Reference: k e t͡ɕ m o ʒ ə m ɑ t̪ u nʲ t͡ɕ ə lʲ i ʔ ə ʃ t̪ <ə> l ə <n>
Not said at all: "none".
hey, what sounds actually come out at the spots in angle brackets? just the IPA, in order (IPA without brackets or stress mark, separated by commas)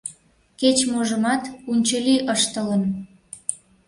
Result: ə, n